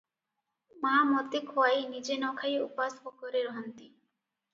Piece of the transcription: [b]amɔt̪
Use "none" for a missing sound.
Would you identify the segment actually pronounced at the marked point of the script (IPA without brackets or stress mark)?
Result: m